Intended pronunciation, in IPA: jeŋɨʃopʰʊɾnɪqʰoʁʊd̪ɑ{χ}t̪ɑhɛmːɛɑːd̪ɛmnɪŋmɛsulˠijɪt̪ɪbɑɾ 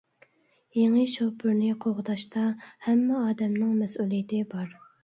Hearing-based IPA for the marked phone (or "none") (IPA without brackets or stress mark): ʃ